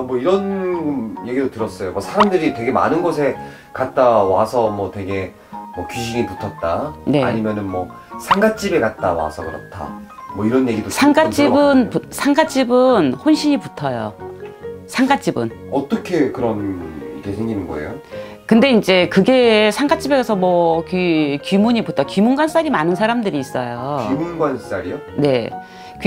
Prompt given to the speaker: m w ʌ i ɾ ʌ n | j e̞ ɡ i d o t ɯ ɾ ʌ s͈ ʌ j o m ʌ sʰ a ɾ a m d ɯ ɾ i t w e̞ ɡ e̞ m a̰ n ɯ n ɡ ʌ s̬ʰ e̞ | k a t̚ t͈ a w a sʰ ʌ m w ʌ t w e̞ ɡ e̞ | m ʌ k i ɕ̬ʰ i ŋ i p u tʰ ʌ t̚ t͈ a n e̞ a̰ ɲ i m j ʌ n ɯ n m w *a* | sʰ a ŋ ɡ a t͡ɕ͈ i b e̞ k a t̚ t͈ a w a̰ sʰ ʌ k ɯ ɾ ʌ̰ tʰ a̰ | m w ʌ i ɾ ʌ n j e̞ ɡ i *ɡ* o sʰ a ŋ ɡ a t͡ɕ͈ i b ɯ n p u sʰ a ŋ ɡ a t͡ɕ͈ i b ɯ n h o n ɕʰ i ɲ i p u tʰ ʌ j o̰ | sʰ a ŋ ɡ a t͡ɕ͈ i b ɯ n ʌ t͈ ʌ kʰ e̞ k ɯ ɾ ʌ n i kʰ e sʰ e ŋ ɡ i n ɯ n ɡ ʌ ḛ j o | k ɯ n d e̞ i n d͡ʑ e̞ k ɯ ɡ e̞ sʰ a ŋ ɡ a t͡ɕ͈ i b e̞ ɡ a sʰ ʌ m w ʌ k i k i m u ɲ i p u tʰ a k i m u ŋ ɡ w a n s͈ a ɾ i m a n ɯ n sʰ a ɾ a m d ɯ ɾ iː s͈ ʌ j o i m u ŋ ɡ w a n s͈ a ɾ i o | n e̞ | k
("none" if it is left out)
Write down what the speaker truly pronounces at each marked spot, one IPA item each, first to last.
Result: ʌ, d

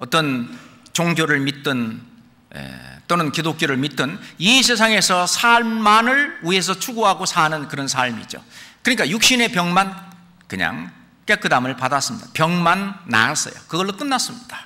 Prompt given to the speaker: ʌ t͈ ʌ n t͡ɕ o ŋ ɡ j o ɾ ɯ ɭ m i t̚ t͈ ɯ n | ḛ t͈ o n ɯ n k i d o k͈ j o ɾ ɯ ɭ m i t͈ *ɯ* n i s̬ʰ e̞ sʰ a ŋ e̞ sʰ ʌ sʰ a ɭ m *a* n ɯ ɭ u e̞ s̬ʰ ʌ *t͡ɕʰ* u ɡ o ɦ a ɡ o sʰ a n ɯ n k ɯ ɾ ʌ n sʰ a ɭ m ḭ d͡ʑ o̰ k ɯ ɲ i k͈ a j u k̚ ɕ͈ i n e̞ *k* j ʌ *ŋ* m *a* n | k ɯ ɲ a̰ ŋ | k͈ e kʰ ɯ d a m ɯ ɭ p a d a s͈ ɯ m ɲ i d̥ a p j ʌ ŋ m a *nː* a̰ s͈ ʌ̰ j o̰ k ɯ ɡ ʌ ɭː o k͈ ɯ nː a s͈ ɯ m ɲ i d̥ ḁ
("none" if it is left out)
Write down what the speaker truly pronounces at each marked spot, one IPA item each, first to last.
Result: ɯ, a, t͡ɕʰ, p, ŋ, a, nː

